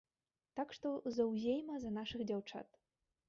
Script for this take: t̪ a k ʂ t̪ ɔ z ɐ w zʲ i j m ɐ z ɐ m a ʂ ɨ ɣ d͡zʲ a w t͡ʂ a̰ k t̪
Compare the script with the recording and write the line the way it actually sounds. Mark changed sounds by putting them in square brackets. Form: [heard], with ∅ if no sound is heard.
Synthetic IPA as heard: t̪ a k ʂ t̪ ɔ z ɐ w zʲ [e] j m ɐ z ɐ [n] a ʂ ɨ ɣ d͡zʲ a w t͡ʂ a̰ [∅] t̪